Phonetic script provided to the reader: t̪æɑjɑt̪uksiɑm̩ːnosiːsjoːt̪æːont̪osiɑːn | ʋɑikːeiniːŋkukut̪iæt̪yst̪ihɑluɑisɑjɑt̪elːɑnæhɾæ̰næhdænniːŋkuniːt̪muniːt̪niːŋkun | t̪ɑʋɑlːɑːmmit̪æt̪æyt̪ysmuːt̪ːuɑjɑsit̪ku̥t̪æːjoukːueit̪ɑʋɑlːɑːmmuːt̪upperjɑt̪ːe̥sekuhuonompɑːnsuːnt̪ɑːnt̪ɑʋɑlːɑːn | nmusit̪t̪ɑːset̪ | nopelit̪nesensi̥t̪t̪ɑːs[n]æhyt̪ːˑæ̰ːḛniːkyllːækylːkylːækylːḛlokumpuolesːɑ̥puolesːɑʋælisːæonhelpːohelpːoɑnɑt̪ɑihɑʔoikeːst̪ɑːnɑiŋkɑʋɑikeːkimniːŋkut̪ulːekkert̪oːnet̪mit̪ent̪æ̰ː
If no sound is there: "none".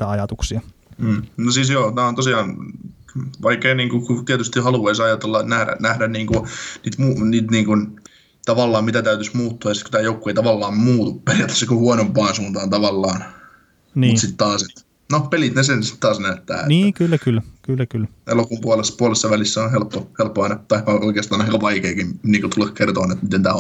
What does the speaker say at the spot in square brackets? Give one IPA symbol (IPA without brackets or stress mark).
n